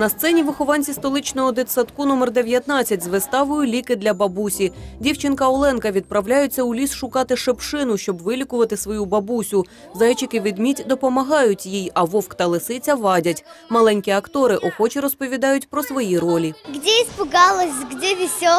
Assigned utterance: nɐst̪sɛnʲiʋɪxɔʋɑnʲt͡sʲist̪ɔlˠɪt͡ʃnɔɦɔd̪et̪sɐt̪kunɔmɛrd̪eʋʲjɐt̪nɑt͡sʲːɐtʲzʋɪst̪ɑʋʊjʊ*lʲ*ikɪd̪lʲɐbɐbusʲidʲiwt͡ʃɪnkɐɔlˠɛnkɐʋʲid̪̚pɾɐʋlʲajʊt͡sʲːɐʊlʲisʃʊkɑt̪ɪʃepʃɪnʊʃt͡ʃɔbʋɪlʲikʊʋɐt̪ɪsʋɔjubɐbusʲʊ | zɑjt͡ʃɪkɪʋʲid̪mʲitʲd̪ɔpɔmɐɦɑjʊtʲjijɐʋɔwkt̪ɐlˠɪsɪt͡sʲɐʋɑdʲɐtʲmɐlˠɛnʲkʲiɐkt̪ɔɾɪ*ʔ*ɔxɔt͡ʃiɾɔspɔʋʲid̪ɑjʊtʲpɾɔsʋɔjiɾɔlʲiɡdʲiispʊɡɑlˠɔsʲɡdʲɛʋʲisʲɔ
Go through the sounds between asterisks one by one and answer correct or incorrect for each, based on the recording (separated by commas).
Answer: correct, correct